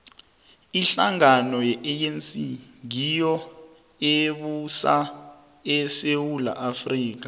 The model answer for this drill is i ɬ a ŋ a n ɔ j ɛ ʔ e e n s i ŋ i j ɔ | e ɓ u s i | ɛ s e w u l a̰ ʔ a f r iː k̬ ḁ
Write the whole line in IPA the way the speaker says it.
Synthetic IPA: i ɬ a ŋ a n ɔ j ɛ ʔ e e n s i ŋ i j ɔ | e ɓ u s a | ɛ s e w u l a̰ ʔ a f r iː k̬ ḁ